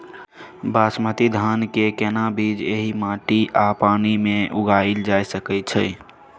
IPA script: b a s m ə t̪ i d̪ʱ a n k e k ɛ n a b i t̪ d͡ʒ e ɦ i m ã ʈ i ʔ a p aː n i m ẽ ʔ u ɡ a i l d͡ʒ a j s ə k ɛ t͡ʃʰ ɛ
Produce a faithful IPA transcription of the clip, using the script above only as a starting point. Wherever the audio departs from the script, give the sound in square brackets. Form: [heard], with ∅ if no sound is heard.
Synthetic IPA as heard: b a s m ə t̪ i d̪ʱ a n k e k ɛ n a b i [∅] d͡ʒ e ɦ i m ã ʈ i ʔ a p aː n i m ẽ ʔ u ɡ a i l d͡ʒ a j s ə k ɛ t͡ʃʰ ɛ